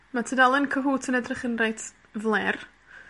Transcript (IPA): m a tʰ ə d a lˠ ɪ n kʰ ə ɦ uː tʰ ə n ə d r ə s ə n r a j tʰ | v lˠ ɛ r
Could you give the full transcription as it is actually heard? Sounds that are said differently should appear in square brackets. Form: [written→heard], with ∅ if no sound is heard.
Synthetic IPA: m a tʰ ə d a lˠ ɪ n kʰ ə ɦ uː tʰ ə n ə d r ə [s→χ] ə n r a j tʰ | v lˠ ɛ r

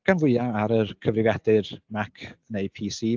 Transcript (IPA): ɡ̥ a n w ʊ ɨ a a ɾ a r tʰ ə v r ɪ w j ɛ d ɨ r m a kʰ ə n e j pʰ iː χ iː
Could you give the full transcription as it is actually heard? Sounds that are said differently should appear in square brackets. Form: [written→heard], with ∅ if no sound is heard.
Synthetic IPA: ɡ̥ a n [w→v] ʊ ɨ a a ɾ [a→ə] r [tʰ→kʰ] ə v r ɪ [w→v] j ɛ d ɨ r m a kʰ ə n e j pʰ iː [χ→s] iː

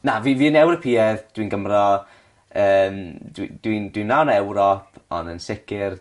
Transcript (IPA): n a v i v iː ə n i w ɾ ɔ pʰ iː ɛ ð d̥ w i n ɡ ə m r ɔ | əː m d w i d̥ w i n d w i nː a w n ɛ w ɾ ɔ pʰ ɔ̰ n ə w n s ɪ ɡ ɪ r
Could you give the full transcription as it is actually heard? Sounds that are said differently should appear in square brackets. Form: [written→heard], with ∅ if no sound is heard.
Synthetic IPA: n a v i v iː ə n [i→ɛ] w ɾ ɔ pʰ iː ɛ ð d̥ w i n ɡ ə m r ɔ | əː m d w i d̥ w i n d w i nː a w n ɛ w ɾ ɔ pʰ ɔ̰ n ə [w→∅] n s ɪ [ɡ→k] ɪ r

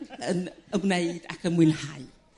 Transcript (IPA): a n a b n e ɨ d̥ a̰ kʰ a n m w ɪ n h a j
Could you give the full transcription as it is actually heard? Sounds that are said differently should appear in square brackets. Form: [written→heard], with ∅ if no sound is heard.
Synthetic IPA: [a→ə] n [a→ə] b n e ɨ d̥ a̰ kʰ [a→ə] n m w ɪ n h a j

